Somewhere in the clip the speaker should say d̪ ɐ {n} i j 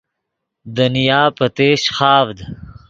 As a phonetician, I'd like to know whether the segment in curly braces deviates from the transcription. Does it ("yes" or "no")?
no